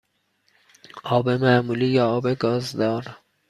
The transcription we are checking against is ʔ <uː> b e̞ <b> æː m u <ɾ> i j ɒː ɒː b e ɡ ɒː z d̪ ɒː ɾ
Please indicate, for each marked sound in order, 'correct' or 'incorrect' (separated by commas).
incorrect, incorrect, incorrect